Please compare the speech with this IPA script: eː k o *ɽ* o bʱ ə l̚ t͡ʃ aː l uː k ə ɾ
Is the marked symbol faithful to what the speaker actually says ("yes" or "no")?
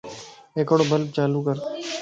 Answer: yes